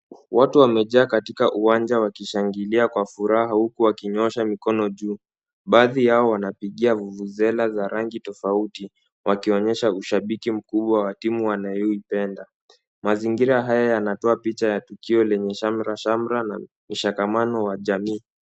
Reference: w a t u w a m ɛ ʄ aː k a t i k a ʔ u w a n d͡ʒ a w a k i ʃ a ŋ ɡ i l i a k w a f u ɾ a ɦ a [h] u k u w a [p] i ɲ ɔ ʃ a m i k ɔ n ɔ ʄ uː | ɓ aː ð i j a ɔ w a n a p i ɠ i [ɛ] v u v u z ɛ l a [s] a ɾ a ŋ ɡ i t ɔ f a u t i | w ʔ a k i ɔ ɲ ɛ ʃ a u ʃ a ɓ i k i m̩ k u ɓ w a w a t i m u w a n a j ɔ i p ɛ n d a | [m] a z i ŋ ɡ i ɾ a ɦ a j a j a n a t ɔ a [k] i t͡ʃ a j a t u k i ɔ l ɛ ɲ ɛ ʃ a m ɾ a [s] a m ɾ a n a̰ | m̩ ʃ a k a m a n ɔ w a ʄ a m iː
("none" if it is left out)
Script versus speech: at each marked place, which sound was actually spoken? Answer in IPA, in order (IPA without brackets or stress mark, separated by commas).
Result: h, k, a, z, m, p, ʃ